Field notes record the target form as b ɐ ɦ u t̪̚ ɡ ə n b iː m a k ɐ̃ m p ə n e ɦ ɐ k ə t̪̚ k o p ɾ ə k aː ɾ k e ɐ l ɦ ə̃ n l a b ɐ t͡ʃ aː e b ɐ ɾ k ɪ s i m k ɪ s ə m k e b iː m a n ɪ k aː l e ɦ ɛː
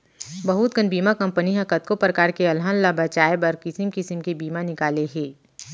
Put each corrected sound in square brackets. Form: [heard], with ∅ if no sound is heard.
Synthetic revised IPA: b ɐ ɦ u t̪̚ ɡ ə n b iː m a k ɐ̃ m p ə n [i] ɦ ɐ k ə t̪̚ k o p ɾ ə k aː ɾ k e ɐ l ɦ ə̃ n l a b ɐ t͡ʃ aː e b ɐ ɾ k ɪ s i m k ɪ s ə m k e b iː m a n ɪ k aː l e ɦ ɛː